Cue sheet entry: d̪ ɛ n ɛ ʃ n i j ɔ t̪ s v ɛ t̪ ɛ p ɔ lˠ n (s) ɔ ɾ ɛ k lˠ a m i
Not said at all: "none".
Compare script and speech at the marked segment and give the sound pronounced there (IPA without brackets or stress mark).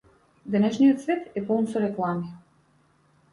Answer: s